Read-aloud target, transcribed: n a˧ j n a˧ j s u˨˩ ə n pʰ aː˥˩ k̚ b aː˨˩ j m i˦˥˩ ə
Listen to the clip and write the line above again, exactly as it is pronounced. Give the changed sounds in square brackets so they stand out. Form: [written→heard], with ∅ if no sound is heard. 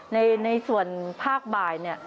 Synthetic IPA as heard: n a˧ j n a˧ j s u˨˩ ə n pʰ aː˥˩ k̚ b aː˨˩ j [m→n] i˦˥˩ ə